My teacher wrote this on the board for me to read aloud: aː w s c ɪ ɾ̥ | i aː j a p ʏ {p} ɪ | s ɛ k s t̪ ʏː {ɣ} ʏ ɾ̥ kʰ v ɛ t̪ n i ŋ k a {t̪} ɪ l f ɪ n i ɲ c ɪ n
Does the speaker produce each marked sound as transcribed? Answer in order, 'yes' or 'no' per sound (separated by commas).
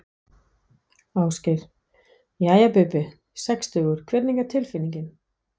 yes, yes, no